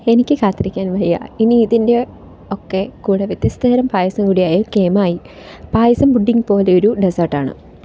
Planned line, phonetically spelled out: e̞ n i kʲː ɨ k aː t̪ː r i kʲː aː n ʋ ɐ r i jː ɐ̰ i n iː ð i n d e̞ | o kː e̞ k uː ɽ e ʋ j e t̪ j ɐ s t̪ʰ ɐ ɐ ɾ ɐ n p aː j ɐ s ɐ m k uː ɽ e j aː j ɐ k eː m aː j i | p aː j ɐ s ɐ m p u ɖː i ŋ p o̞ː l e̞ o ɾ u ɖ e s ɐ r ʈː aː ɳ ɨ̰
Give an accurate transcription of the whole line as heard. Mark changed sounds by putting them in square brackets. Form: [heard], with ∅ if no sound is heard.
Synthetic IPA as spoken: e̞ n i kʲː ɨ k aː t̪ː r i kʲː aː n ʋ ɐ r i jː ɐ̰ i n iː ð i n d e̞ | o kː e̞ k uː ɽ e ʋ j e t̪ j ɐ s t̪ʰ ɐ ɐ ɾ ɐ [m] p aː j ɐ s ɐ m k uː ɽ [i] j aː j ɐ k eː m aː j i | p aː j ɐ s ɐ m [b] u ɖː i ŋ p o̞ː l e̞ o ɾ u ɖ e s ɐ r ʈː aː ɳ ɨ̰

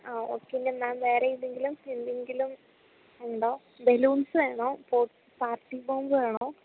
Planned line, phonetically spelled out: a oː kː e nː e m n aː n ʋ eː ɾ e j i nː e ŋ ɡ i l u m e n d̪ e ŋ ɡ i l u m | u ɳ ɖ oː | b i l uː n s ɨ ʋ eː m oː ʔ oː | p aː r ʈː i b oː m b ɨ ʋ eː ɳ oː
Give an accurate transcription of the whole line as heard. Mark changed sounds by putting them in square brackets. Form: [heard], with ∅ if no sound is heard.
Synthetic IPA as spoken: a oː kː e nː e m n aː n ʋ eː ɾ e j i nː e ŋ ɡ i l u m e n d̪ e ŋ ɡ i l u m | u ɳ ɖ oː | b [e] l uː n s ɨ ʋ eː [ɳ] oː [p] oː | p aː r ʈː i b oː m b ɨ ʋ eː ɳ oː

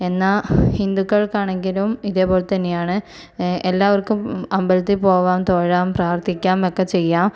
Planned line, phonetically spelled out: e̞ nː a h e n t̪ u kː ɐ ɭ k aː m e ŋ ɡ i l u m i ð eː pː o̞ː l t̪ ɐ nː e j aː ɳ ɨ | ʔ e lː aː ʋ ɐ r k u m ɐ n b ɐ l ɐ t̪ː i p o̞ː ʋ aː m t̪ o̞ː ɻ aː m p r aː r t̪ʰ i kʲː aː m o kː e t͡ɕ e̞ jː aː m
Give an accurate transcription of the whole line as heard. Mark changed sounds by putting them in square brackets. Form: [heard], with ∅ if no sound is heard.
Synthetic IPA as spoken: e̞ nː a h [i] n [d̪] u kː ɐ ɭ k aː [ɳ] e ŋ ɡ i l u m i ð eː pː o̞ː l t̪ ɐ nː e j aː ɳ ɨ | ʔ e lː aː ʋ ɐ r k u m ɐ [m] b ɐ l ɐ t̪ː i p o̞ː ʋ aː m t̪ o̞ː ɻ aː m p r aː r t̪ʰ i kʲː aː m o kː e t͡ɕ e̞ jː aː m

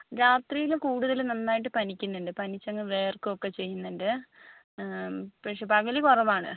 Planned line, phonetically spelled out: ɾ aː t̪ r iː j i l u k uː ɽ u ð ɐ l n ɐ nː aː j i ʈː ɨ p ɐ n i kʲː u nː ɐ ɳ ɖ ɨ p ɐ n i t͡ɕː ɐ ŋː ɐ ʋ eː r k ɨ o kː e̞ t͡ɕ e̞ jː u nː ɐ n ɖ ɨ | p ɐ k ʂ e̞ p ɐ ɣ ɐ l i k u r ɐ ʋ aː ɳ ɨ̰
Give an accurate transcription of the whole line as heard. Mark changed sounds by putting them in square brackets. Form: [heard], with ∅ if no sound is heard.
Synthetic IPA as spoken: ɾ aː t̪ r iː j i l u k uː ɽ u ð ɐ l n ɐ nː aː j i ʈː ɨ p ɐ n i kʲː u nː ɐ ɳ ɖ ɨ p ɐ n i t͡ɕː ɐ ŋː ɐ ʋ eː r k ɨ o kː e̞ t͡ɕ e̞ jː u nː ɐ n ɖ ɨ | p ɐ k ʂ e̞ p ɐ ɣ ɐ l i k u r ɐ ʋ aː ɳ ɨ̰

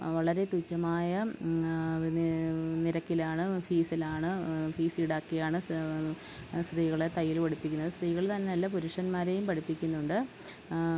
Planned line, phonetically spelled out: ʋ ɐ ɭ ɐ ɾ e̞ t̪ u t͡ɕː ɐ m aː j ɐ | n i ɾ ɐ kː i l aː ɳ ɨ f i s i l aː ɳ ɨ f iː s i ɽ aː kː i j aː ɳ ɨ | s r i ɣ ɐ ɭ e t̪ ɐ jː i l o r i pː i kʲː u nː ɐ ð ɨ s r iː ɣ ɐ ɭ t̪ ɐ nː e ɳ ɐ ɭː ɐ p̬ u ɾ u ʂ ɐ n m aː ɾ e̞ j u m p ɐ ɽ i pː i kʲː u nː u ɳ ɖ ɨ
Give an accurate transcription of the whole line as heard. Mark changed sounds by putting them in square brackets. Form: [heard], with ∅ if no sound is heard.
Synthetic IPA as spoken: ʋ ɐ ɭ ɐ ɾ e̞ t̪ u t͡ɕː ɐ m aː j ɐ | n i ɾ ɐ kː i l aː ɳ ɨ f [iː] s i l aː ɳ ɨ f iː s i ɽ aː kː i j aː ɳ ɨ | s r [iː] ɣ ɐ ɭ e t̪ ɐ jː i l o [ɽ] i pː i kʲː u nː ɐ ð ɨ s r iː ɣ ɐ ɭ t̪ ɐ nː e [n] ɐ [lː] ɐ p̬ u ɾ u ʂ ɐ n m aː ɾ e̞ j u m p ɐ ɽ i pː i kʲː u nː u ɳ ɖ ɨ

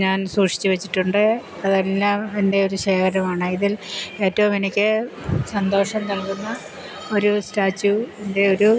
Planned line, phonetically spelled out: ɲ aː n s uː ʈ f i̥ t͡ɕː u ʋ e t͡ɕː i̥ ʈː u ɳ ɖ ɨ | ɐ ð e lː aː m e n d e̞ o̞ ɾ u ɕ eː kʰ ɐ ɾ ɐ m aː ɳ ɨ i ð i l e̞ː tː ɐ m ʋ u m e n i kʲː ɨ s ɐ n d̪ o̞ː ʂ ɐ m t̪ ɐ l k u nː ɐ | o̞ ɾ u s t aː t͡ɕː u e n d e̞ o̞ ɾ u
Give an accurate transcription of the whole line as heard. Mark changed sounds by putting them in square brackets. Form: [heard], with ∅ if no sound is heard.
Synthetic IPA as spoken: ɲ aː n s uː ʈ [ʂ] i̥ t͡ɕː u ʋ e t͡ɕː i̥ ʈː u ɳ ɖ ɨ | ɐ ð e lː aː m e n d e̞ o̞ ɾ u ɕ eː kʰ ɐ ɾ ɐ m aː ɳ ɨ i ð i l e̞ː tː ɐ [∅] ʋ u m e n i kʲː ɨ s ɐ n d̪ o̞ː ʂ ɐ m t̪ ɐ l k u nː ɐ | o̞ ɾ u s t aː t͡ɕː u e n d e̞ o̞ ɾ u

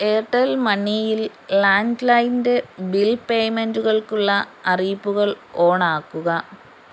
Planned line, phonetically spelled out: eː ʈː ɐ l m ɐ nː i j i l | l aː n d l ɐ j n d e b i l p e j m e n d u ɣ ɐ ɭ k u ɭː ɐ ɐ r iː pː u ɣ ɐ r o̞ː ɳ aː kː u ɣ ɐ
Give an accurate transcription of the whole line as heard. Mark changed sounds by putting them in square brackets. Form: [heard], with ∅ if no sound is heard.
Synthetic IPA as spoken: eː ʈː ɐ l m ɐ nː i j i l | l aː n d l ɐ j n d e b i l p e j m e n d u ɣ ɐ ɭ k u ɭː ɐ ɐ r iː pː u ɣ ɐ [ɭ] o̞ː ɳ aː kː u ɣ ɐ

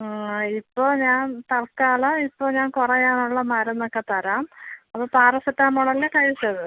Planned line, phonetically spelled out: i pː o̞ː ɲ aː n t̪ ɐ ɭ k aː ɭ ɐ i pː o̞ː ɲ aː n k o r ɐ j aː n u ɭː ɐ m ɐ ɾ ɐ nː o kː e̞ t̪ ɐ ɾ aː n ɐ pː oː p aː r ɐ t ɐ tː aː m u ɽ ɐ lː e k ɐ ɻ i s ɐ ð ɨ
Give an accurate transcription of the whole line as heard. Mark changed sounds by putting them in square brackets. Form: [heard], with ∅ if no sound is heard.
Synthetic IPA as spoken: i pː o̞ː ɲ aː n t̪ ɐ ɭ k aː ɭ ɐ i pː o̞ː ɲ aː n k [u] r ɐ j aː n u ɭː ɐ m ɐ ɾ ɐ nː o kː e̞ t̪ ɐ ɾ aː [m] ɐ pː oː p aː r ɐ [s] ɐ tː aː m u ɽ ɐ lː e k ɐ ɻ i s ɐ ð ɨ

